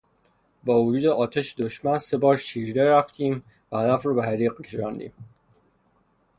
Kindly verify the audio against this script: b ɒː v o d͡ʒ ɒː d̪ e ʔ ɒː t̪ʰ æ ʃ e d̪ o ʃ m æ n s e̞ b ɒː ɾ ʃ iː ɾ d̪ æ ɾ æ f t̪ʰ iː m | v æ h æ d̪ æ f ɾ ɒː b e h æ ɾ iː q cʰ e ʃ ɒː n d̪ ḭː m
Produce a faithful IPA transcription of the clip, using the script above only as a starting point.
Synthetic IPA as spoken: b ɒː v o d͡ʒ uː d̪ e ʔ ɒː t̪ʰ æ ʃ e d̪ o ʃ m æ n s e̞ b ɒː ɾ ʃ iː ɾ d̪ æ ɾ æ f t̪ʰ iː m | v æ h æ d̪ æ f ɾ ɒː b e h æ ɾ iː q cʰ e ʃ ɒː n d̪ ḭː m

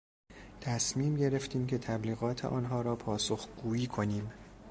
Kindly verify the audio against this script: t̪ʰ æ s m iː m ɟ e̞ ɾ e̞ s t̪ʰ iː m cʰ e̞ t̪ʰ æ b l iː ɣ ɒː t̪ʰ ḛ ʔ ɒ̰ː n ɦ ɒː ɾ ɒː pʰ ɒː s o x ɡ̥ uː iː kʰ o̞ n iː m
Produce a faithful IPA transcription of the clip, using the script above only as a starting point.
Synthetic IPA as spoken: t̪ʰ æ s m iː m ɟ e̞ ɾ e̞ f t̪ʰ iː m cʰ e̞ t̪ʰ æ b l iː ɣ ɒː t̪ʰ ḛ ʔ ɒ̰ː n ɦ ɒː ɾ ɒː pʰ ɒː s o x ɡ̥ uː iː kʰ o̞ n iː m

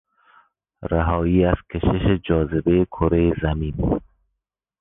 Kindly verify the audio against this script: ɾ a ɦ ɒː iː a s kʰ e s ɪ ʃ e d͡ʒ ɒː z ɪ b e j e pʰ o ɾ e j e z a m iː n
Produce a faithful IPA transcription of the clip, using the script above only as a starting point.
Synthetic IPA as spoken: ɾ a ɦ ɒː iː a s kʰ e ʃ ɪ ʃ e d͡ʒ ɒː z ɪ b e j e kʰ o ɾ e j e z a m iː n

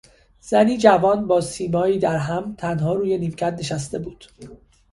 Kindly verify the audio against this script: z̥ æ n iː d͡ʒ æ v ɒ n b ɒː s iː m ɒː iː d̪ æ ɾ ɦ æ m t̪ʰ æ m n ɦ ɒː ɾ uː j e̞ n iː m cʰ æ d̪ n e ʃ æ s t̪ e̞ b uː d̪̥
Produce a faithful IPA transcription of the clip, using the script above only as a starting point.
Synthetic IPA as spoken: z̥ æ n iː d͡ʒ æ v ɒː n b ɒː s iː m ɒː iː d̪ æ ɾ ɦ æ m t̪ʰ æ n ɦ ɒː ɾ uː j e̞ n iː m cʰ æ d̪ n e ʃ æ s t̪ e̞ b uː d̪̥

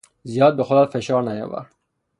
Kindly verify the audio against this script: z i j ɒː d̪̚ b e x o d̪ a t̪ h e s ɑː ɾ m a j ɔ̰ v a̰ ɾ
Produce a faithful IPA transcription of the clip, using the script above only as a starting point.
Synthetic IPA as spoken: z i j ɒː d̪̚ b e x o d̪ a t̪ f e ʃ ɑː ɾ n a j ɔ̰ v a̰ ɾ

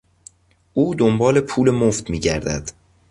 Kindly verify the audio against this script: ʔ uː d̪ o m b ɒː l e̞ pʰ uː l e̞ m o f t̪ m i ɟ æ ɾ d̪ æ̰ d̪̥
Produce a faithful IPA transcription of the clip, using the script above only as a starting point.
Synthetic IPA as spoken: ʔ uː d̪ o m b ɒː l e̞ pʰ uː l e̞ m o f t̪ m iː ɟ æ ɾ d̪ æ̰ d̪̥

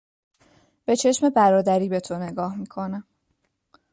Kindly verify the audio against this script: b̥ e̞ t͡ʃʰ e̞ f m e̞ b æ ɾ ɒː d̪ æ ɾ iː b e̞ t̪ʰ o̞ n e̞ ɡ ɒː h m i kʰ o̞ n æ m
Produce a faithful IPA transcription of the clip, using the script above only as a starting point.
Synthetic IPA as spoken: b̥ e̞ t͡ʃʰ e̞ ʃ m e̞ b æ ɾ ɒː d̪ æ ɾ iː b e̞ t̪ʰ o̞ n e̞ ɡ ɒː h m i kʰ o̞ n æ m

